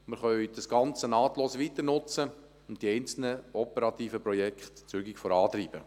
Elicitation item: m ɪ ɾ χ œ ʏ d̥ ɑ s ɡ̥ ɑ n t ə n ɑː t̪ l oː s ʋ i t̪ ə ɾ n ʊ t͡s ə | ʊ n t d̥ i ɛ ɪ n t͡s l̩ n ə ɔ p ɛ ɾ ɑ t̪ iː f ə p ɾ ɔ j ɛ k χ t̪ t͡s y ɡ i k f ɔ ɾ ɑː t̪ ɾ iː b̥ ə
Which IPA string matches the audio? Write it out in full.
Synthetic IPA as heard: m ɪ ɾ χ œ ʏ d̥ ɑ s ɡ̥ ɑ n t͡s ə n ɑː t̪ l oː s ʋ i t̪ ə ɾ n ʊ t͡s ə | ʊ n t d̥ i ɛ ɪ n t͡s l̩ n ə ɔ p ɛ ɾ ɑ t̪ iː f ə p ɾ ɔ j ɛ k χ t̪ t͡s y ɡ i k f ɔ ɾ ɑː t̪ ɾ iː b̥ ə